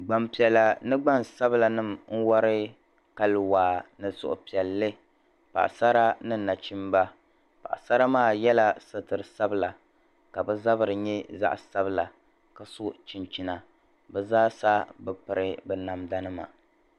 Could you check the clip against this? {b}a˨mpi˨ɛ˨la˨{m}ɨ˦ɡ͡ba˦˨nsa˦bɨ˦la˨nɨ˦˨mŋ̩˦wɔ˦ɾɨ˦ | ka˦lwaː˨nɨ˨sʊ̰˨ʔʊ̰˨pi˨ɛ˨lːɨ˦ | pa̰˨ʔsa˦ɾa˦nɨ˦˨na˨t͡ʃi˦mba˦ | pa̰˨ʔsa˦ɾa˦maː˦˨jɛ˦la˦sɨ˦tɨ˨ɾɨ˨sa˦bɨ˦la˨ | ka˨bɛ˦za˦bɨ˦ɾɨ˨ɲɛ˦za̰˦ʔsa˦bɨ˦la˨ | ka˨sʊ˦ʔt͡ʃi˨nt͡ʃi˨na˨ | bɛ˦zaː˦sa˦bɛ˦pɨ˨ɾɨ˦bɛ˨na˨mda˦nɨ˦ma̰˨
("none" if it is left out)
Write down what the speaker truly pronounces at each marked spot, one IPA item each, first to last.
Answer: ɡ͡b, n

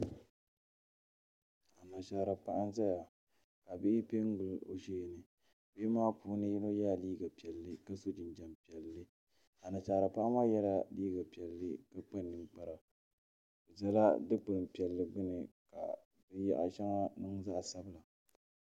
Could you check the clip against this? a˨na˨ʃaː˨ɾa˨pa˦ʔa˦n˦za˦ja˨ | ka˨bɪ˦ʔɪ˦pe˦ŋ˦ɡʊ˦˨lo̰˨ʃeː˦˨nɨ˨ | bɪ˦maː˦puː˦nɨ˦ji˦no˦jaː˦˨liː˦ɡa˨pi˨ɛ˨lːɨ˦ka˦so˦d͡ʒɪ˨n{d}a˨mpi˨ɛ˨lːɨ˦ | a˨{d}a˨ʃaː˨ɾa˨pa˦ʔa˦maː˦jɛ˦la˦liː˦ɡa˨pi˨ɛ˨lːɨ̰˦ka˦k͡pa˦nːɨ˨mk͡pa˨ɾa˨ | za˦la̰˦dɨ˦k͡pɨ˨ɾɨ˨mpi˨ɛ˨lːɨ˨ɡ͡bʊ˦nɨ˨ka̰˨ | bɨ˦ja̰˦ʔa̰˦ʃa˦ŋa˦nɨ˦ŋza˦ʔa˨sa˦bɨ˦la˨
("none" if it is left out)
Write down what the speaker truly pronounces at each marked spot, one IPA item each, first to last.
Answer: d͡ʒ, n

